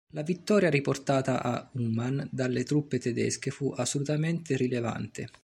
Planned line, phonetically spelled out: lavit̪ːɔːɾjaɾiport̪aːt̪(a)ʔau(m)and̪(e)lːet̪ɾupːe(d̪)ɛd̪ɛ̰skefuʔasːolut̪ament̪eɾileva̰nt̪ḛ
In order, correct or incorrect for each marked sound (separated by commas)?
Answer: correct, correct, incorrect, incorrect